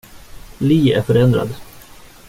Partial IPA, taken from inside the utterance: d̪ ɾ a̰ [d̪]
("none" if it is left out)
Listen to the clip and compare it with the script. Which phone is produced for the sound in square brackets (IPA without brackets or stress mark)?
d̪